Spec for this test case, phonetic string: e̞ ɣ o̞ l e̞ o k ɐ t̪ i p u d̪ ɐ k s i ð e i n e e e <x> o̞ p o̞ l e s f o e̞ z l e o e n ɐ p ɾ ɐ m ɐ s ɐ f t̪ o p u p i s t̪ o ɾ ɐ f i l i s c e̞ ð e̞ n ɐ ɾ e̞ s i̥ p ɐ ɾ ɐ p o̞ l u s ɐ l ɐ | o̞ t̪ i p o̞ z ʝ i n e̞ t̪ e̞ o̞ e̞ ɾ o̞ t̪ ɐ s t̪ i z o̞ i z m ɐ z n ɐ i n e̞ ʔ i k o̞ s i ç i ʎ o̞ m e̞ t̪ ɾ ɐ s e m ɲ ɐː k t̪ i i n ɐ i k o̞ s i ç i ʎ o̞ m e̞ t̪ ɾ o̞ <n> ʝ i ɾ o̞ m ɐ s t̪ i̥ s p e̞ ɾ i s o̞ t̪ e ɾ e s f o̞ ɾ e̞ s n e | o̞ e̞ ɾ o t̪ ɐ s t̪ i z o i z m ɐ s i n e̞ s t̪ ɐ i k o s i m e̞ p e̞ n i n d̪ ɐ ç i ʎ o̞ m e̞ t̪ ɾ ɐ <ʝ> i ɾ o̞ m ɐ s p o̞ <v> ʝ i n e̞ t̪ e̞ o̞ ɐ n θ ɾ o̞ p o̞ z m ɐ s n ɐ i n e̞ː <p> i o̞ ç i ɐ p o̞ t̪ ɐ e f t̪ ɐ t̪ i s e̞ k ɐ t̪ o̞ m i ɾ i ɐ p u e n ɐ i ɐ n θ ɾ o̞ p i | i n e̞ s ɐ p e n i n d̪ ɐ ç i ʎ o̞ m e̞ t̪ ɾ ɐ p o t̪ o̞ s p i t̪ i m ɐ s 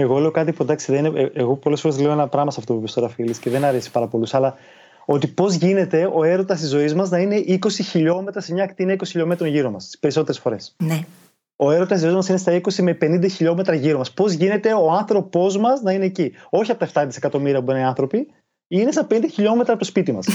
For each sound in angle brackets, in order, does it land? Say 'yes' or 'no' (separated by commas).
no, yes, yes, no, no